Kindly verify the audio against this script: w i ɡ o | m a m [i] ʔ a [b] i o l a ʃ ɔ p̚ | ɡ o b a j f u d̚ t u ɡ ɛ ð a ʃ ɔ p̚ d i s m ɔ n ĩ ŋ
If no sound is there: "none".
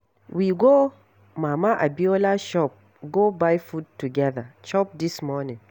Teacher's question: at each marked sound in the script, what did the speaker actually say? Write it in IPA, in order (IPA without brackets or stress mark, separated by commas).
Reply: a, b